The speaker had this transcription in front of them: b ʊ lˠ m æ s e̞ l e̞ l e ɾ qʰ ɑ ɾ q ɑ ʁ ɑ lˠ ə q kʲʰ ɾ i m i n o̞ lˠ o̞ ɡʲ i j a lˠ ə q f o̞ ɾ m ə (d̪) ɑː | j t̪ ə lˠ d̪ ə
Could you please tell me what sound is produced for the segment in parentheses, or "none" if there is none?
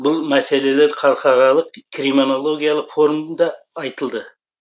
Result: d̪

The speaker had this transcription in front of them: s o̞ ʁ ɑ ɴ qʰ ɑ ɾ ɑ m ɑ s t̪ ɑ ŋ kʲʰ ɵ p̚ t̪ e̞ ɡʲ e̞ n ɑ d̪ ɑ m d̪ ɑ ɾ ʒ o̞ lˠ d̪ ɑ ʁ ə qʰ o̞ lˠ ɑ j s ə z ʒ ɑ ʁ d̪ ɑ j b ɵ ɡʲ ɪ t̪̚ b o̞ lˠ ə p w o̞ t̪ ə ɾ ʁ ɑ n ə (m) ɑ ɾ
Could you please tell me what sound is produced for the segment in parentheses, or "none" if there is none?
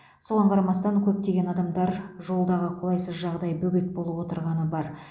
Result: b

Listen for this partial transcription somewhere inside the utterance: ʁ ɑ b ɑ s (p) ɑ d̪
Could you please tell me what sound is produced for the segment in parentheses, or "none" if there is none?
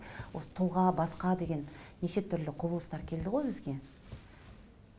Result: q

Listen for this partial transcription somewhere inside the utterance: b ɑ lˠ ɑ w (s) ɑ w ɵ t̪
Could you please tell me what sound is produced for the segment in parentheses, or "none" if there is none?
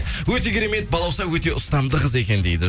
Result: s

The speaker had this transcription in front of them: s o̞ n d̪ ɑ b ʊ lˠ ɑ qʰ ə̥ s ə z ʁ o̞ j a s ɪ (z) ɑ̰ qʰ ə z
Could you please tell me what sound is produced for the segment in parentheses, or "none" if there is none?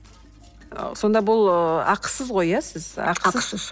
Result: z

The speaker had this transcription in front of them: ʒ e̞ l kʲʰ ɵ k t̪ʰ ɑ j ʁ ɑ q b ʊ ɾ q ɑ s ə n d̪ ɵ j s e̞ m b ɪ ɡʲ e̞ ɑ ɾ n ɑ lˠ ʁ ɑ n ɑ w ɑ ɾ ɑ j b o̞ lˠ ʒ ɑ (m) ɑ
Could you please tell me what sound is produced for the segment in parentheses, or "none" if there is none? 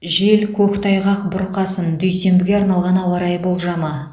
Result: m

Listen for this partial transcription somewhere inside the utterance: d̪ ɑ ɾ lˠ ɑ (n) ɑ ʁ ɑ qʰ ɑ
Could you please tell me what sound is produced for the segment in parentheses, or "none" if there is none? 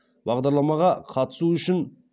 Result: m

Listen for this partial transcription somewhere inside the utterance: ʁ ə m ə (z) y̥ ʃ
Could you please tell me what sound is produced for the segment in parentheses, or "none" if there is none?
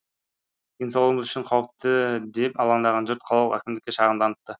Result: z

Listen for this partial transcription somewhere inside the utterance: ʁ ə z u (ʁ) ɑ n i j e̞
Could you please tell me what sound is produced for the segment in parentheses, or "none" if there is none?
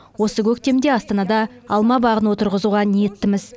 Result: ʁ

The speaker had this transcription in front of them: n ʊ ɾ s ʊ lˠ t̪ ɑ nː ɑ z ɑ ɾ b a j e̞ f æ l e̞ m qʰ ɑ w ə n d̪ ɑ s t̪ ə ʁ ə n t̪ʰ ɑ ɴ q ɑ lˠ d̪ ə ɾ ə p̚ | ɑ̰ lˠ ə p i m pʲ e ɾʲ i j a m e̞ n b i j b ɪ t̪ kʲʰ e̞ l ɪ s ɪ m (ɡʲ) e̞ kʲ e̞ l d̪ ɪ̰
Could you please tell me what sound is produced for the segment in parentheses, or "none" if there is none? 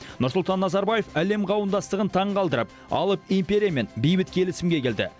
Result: ɡʲ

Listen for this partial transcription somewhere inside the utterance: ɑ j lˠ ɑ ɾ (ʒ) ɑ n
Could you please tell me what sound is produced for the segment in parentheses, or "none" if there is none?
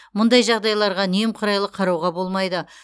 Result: ʁ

